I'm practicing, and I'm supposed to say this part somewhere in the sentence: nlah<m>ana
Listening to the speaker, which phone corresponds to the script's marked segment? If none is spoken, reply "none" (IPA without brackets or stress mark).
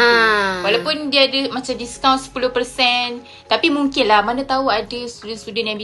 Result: m